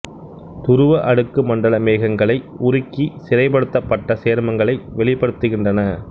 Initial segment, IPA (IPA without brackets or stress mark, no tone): t̪